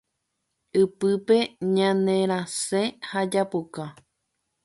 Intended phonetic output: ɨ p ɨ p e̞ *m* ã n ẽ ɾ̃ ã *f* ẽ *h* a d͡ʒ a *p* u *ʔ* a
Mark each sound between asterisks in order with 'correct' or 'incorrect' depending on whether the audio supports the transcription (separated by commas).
incorrect, incorrect, correct, correct, incorrect